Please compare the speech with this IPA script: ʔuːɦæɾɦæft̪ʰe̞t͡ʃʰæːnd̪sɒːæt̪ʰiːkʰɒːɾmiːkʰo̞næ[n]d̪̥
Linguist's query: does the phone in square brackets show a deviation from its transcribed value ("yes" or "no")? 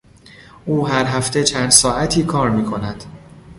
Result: yes